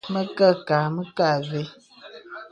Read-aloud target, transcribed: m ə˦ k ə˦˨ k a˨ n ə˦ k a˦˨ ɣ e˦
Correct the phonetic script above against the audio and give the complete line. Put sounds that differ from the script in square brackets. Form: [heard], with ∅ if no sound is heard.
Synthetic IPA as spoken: m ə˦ k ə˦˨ k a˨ [m] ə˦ k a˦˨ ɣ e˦

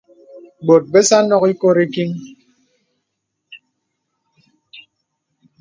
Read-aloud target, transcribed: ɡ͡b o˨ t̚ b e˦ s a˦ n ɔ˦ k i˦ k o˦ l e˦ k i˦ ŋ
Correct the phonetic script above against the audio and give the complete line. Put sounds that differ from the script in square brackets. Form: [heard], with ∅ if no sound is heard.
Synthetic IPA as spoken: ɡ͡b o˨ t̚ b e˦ s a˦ n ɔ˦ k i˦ k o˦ [ɾ] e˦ k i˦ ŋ

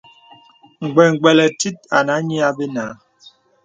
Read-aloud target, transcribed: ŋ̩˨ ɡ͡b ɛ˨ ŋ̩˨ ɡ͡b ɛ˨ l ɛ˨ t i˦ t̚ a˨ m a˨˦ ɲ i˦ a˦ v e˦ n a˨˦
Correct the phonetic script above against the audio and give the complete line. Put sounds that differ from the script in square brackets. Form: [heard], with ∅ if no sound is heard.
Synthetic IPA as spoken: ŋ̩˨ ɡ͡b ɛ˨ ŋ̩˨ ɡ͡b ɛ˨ l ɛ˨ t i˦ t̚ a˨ [n] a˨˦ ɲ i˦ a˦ [b] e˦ n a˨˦

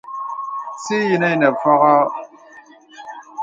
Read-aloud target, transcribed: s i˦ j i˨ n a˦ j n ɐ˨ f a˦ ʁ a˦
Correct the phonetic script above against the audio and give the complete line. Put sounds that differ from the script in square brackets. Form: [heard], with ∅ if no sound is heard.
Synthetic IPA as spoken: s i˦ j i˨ n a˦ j n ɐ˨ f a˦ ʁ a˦

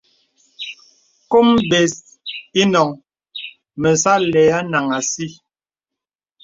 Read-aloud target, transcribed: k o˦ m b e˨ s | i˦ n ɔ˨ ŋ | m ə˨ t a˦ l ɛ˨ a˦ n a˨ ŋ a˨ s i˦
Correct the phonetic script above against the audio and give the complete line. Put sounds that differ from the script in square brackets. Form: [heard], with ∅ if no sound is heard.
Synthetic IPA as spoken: k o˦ m b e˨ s | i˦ n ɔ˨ ŋ | m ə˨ [s] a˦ l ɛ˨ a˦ n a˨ ŋ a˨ s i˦

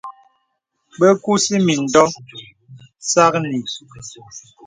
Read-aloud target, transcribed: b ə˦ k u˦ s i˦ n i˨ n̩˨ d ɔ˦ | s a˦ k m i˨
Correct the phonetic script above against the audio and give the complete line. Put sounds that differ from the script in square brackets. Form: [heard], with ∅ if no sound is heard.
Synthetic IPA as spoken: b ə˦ k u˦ s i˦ [m] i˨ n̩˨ d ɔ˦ | s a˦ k [n] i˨

